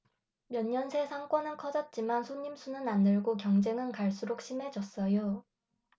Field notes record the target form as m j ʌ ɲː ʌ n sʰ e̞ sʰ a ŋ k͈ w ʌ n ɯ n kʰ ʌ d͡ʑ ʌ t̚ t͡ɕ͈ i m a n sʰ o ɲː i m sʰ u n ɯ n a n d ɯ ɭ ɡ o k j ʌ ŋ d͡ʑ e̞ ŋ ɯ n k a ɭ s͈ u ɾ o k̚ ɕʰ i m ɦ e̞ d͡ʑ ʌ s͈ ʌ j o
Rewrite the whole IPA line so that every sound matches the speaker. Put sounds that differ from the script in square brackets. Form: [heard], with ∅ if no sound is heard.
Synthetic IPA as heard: m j ʌ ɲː ʌ n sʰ e̞ sʰ a ŋ k͈ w ʌ n ɯ n kʰ ʌ d͡ʑ ʌ t̚ t͡ɕ͈ i m a n sʰ o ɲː i m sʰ u n ɯ n a n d ɯ ɭ ɡ o k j ʌ ŋ d͡ʑ e̞ ŋ ɯ n k a ɭ s͈ u ɾ o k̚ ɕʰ i m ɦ e̞ d͡ʑ ʌ s͈ ʌ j o

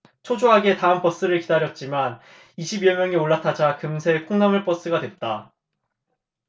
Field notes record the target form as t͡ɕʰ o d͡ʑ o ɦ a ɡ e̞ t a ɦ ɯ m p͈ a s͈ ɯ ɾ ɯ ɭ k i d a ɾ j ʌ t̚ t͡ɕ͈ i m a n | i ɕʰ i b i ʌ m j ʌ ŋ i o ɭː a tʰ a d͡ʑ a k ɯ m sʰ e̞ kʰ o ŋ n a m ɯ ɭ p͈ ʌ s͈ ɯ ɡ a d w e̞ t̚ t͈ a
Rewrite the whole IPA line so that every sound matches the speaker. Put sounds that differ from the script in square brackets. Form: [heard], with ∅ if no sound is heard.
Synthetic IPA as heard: t͡ɕʰ o d͡ʑ o ɦ a ɡ e̞ t a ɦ ɯ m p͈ [ʌ] s͈ ɯ ɾ ɯ ɭ k i d a ɾ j ʌ t̚ t͡ɕ͈ i m a n | i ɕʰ i b i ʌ m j ʌ ŋ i o ɭː a tʰ a d͡ʑ a k ɯ m sʰ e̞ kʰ o ŋ n a m ɯ ɭ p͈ ʌ s͈ ɯ ɡ a d w e̞ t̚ t͈ a

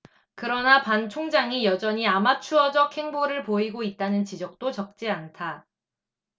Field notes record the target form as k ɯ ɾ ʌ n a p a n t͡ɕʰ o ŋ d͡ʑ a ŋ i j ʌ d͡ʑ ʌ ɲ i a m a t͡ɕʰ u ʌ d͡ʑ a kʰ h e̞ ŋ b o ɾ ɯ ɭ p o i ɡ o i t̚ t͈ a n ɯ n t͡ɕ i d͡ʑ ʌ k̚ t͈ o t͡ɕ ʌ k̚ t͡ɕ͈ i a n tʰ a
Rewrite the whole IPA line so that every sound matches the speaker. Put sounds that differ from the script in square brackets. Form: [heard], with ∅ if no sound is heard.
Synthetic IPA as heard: k ɯ ɾ ʌ n a p a n t͡ɕʰ o ŋ d͡ʑ a ŋ i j ʌ d͡ʑ ʌ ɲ i a m a t͡ɕʰ u ʌ d͡ʑ [ʌ] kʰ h e̞ ŋ b o ɾ ɯ ɭ p o i ɡ o i t̚ t͈ a n ɯ n t͡ɕ i d͡ʑ ʌ k̚ t͈ o t͡ɕ ʌ k̚ t͡ɕ͈ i a n tʰ a

